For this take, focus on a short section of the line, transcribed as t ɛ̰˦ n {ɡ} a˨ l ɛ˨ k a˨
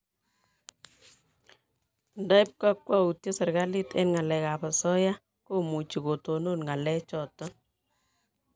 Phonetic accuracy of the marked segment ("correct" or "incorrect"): incorrect